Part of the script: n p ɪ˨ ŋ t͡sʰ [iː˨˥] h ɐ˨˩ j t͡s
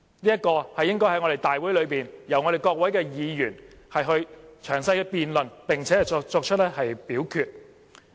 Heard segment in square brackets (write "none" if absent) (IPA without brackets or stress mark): ɛː˨˥